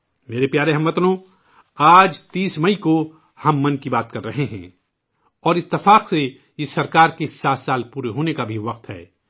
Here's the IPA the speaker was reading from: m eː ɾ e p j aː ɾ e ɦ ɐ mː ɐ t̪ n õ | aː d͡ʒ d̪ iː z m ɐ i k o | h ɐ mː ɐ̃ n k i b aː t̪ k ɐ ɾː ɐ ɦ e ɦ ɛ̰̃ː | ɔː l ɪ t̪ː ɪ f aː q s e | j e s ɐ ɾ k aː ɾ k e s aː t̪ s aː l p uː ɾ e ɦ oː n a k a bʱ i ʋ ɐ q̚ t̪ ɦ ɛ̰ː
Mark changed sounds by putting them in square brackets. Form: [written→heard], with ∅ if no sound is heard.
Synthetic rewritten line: m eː ɾ e p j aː ɾ e ɦ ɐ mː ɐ t̪ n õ | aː d͡ʒ [d̪→t̪] iː [z→s] m ɐ i k o | h ɐ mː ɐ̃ n k i b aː t̪ k ɐ ɾː ɐ ɦ e ɦ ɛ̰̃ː | ɔː [l→ɾ] ɪ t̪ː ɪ f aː q s e | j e s ɐ ɾ k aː ɾ k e s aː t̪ s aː l p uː ɾ e ɦ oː n [a→e] k a bʱ i ʋ ɐ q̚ t̪ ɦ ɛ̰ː